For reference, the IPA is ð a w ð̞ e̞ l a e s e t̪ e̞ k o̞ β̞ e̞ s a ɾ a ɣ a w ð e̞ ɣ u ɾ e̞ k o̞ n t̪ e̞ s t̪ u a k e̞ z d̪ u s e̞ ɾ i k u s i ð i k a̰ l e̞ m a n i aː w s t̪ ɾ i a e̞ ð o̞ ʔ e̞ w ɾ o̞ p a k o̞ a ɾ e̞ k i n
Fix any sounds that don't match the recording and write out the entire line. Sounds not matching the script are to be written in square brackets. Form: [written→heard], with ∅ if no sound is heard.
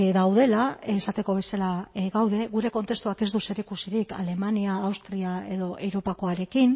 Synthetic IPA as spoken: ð a w ð̞ e̞ l a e s [e→a] t̪ e̞ k o̞ β̞ e̞ s a [ɾ→l] a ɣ a w ð e̞ ɣ u ɾ e̞ k o̞ n t̪ e̞ s t̪ u a k e̞ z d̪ u s e̞ ɾ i k u s i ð i k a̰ l e̞ m a n i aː w s t̪ ɾ i a e̞ ð o̞ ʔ e̞ w ɾ o̞ p a k o̞ a ɾ e̞ k i n